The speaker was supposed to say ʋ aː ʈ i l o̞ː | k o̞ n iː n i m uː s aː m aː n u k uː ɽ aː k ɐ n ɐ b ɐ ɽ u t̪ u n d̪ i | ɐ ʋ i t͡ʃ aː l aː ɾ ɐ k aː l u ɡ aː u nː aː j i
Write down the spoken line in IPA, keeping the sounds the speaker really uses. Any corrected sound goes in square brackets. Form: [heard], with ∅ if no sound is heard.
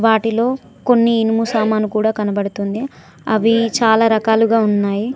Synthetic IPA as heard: ʋ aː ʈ i l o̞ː | k o̞ [nː] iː n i m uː s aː m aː n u k uː ɽ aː k ɐ n ɐ b ɐ ɽ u t̪ u n d̪ i | ɐ ʋ i t͡ʃ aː l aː ɾ ɐ k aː l u ɡ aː u nː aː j i